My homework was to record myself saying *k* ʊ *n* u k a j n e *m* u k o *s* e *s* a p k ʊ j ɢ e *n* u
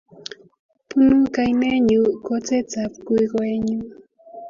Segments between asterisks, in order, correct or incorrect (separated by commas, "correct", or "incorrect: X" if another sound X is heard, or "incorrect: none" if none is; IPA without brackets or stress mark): incorrect: p, correct, incorrect: ɲ, incorrect: t͡s, incorrect: t͡s, incorrect: ɲ